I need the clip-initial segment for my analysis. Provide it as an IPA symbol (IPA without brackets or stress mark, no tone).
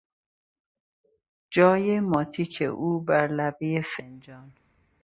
d͡ʒ